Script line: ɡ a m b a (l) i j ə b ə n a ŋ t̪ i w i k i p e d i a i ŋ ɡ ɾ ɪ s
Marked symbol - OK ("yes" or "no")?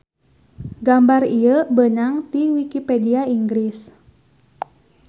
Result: no